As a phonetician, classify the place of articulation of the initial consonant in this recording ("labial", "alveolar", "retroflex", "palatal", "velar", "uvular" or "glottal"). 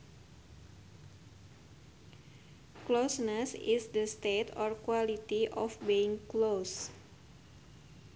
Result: velar